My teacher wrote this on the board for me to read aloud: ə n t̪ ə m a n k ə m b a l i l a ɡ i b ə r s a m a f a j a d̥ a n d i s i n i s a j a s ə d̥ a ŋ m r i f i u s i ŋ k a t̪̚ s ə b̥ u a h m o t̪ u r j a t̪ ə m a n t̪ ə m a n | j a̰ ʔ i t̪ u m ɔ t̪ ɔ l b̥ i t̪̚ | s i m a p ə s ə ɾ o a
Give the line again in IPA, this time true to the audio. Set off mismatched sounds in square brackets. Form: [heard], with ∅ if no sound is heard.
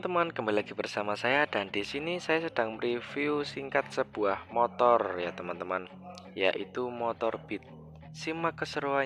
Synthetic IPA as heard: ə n t̪ ə m a n k ə m b a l i l a ɡ i b ə r s a m a [s] a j a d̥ a n d i s i n i s a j a s ə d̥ a ŋ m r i f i u s i ŋ k a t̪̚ s ə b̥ u a h m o t̪ [ɔ] r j a t̪ ə m a n t̪ ə m a n | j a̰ ʔ i t̪ u m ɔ t̪ ɔ [r] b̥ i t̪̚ | s i m a [k] ə s ə ɾ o a

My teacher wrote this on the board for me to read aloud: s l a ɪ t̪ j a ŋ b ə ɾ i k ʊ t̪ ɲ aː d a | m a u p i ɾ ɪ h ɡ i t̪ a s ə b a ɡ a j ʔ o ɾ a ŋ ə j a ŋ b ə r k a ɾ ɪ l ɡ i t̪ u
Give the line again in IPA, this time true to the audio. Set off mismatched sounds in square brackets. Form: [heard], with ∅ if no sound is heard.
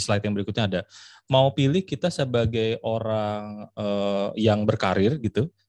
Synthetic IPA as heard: s l a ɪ t̪ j a ŋ b ə ɾ i k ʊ t̪ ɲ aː d a | m a u p i [l] ɪ h [k] i t̪ a s ə b a ɡ a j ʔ o ɾ a ŋ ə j a ŋ b ə r k a ɾ ɪ [r] ɡ i t̪ u

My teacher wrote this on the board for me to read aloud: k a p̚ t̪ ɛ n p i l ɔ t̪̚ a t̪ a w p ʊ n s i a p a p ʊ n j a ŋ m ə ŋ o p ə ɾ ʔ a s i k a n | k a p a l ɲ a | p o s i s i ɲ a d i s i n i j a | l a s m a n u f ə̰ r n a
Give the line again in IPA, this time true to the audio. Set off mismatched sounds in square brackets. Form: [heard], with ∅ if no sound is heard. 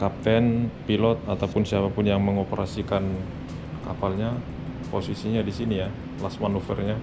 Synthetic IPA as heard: k a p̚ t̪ ɛ n p i l ɔ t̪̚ a t̪ a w p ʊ n s i a p a p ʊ n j a ŋ m ə ŋ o p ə ɾ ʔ a s i k a n | k a p a l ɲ a | p o s i s i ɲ a d i s i n i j a | l a s m a n u f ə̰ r [ɲ] a

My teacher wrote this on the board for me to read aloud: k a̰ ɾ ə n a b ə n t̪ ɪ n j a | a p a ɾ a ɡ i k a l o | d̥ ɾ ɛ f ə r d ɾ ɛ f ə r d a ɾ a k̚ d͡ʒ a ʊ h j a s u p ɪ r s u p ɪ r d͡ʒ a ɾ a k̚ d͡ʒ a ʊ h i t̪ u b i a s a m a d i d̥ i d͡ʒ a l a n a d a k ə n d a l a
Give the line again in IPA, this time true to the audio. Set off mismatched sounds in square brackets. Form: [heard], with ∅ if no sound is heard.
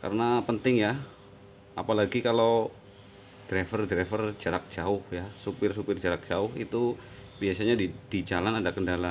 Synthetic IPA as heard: k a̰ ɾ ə n a [p] ə n t̪ ɪ [ŋ] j a | a p a [l] a ɡ i k a l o | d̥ ɾ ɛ f ə r d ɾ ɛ f ə r [d͡ʒ] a ɾ a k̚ d͡ʒ a ʊ h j a s u p ɪ r s u p ɪ r d͡ʒ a ɾ a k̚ d͡ʒ a ʊ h i t̪ u b i a s a [ɲ] a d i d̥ i d͡ʒ a l a n a d a k ə n d a l a

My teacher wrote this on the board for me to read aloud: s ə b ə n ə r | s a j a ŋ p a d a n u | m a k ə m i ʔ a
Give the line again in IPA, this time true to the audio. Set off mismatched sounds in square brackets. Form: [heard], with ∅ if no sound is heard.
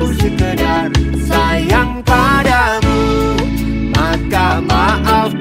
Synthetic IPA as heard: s ə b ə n [a] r | s a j a ŋ p a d a [m] u | m a k [a] m [a] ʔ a

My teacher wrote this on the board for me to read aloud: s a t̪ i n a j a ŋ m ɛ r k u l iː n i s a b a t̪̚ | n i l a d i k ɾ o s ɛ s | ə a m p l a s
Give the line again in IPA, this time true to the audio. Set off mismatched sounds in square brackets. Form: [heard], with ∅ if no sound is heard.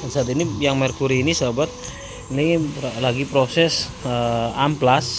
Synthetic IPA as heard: s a t̪ i n [i] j a ŋ m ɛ r k u [ɾ] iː n i s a b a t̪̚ | n i l a [ɡ] i [p] ɾ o s ɛ s | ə a m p l a s

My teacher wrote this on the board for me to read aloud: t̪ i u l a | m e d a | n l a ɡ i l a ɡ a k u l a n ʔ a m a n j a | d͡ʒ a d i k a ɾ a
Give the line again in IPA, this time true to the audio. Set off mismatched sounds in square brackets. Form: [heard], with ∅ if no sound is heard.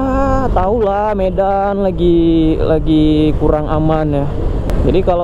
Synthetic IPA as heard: t̪ [a] u l a | m e d a | n l a ɡ i l a ɡ [i] k u [ɾ] a [ŋ] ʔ a m a n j a | d͡ʒ a d i k a [l] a

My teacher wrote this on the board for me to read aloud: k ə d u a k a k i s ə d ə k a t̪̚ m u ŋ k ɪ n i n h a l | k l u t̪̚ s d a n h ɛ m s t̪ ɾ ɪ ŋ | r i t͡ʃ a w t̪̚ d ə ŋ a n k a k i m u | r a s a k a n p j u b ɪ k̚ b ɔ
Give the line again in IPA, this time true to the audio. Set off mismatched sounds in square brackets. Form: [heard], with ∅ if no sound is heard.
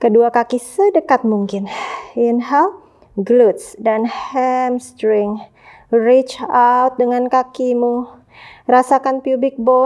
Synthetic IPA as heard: k ə d u a k a k i s ə d ə k a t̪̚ m u ŋ k ɪ n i n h a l | [ɡ] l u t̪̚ s d a n h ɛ m s t̪ ɾ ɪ ŋ | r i t͡ʃ a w t̪̚ d ə ŋ a n k a k i m u | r a s a k a n p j u b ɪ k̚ b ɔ

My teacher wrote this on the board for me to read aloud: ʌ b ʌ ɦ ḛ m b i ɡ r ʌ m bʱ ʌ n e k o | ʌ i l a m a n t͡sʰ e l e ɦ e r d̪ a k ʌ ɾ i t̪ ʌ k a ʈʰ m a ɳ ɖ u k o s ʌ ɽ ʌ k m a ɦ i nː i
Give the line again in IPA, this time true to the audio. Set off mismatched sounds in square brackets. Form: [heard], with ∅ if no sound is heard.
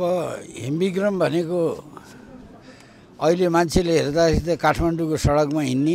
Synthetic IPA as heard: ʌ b ʌ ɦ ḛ m b i ɡ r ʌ m bʱ ʌ n e k o | ʌ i l [e] m a n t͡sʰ e l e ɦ e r d̪ a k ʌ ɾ i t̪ ʌ k a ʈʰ m a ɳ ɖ u k o s ʌ ɽ ʌ k m a ɦ i nː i

